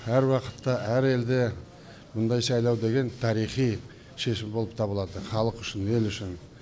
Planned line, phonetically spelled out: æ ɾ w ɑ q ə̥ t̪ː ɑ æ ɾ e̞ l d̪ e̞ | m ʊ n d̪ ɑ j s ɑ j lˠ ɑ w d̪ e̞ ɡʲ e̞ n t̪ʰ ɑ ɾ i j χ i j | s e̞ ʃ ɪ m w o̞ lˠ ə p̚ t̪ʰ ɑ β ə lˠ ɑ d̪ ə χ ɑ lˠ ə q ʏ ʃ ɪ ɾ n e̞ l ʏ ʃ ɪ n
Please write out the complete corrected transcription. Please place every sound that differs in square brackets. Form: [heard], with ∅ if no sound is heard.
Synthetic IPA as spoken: æ ɾ w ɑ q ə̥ t̪ː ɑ æ ɾ e̞ l d̪ e̞ | m ʊ n d̪ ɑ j s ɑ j lˠ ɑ w d̪ e̞ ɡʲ e̞ n t̪ʰ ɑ ɾ i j χ i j | [ʃ] e̞ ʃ ɪ m [b] o̞ lˠ ə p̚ t̪ʰ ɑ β ə lˠ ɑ d̪ ə χ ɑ lˠ ə q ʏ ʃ ɪ [∅] n e̞ l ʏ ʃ ɪ n